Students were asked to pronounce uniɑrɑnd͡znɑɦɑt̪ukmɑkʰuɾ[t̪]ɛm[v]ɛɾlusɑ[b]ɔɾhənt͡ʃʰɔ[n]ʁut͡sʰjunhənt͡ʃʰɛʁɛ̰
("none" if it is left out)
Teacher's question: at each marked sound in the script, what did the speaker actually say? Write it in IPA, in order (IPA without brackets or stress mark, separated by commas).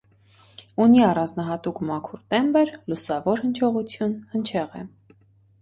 t̪, b, v, none